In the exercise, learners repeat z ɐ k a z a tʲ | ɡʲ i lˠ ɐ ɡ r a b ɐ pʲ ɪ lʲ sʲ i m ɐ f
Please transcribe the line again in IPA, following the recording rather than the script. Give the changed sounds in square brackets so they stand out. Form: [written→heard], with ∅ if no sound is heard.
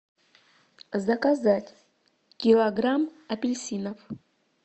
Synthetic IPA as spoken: z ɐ k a z a tʲ | [ɡʲ→kʲ] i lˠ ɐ ɡ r a [b→m] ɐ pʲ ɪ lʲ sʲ i [m→n] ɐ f

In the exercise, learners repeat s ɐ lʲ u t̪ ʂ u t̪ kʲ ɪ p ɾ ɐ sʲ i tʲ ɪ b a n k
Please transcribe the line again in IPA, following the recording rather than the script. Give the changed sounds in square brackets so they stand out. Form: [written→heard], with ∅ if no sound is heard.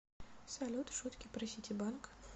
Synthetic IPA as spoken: s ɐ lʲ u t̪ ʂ u t̪ kʲ ɪ p ɾ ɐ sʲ i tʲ ɪ b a n k

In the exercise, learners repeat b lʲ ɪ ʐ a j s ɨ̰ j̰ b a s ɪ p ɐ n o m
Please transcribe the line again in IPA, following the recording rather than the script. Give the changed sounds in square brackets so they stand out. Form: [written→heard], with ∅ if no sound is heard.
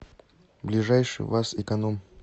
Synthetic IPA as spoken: b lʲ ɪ ʐ a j [s→ʂ] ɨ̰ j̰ [b→v] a s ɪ [p→k] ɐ n o m

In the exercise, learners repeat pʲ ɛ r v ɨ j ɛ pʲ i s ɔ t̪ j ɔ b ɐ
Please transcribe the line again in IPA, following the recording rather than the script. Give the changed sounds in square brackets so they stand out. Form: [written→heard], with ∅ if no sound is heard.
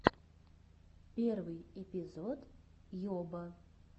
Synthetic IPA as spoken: pʲ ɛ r v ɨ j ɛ pʲ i [s→z] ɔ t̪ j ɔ b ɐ

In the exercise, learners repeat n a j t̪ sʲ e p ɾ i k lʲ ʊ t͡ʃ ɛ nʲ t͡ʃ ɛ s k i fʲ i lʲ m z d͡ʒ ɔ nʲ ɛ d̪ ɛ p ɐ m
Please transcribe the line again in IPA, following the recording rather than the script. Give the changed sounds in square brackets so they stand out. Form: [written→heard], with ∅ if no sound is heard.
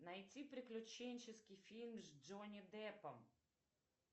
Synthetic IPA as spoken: n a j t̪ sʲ [e→i] p ɾ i k lʲ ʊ t͡ʃ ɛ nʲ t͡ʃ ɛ s k i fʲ i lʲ m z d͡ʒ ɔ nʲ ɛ d̪ ɛ p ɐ m

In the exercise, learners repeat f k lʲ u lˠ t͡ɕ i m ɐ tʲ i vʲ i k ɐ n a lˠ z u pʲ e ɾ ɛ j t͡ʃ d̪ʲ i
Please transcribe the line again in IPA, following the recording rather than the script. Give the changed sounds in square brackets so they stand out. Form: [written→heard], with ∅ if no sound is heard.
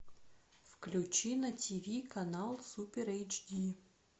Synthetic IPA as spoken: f k lʲ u [lˠ→∅] t͡ɕ i [m→n] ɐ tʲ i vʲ i k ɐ n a lˠ [z→s] u pʲ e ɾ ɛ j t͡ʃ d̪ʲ i

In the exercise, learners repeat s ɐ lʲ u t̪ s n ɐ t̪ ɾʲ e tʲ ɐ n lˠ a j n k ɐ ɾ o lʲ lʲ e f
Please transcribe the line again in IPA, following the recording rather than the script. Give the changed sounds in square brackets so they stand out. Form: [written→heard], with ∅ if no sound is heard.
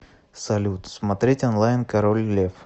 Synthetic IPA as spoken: s ɐ lʲ u t̪ s [n→m] ɐ t̪ ɾʲ e tʲ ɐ n lˠ a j n k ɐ ɾ o lʲ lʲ e f

